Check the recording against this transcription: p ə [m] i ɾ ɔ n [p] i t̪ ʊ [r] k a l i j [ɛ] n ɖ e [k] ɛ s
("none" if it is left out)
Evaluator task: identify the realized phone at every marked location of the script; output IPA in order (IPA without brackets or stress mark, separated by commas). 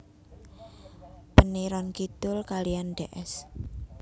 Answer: n, k, l, a, ʔ